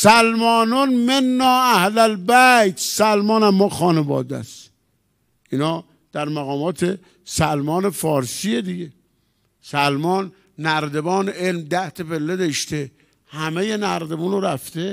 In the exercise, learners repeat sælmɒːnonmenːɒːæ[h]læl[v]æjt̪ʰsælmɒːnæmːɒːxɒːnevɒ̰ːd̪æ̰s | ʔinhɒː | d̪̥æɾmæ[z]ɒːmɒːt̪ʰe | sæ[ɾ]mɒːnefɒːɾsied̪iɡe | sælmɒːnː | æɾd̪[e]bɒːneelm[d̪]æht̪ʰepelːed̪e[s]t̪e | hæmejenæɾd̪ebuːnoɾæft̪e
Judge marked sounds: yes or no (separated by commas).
yes, no, no, no, yes, yes, no